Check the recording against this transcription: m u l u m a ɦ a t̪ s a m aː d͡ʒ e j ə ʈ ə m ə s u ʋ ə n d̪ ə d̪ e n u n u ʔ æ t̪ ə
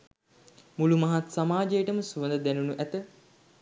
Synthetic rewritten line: m u l u m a ɦ a t̪ s a m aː d͡ʒ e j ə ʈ ə m ə s u ʋ ə n d̪ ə d̪ æ n u n u ʔ æ t̪ ə